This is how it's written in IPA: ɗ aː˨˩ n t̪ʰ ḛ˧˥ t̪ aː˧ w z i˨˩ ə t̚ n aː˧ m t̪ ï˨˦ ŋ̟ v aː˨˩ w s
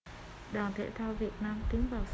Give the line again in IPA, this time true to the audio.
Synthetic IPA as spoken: ɗ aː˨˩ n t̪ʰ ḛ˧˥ t̪ʰ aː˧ w v i˨˩ ə t̚ n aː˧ m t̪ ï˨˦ ŋ̟ v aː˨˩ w s